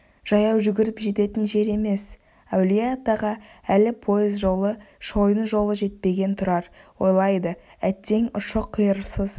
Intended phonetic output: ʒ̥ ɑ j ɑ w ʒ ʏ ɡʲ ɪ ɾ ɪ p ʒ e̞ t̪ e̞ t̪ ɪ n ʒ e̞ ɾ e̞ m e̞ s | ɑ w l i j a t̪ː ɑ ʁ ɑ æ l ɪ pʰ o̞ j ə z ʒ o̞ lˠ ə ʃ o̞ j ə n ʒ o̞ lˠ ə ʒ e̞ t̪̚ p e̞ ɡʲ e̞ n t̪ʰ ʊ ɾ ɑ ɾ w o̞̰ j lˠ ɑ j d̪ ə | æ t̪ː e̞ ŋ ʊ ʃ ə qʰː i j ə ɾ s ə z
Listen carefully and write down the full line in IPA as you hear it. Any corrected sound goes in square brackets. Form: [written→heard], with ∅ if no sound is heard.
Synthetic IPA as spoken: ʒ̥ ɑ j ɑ w ʒ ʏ ɡʲ ɪ ɾ ɪ p ʒ e̞ t̪ e̞ t̪ ɪ n ʒ e̞ ɾ e̞ m e̞ s | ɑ w l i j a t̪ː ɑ ʁ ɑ æ l ɪ pʰ o̞ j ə z ʒ o̞ lˠ ə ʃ o̞ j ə n ʒ o̞ lˠ ə ʒ e̞ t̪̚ p e̞ ɡʲ e̞ n t̪ʰ ʊ ɾ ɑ ɾ w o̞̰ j lˠ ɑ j d̪ ə | æ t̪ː e̞ ŋ ʊ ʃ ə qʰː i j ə ɾ s ə z